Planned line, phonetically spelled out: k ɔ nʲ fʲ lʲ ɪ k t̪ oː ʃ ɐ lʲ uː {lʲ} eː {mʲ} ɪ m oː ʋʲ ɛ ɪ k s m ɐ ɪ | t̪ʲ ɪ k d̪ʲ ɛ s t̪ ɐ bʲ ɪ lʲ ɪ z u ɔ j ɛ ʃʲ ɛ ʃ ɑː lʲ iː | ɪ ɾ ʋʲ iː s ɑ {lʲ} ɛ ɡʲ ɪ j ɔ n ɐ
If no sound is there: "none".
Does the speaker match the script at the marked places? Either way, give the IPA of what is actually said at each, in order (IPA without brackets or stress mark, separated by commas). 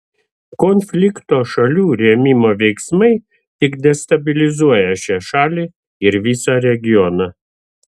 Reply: ɾʲ, mʲ, ɾʲ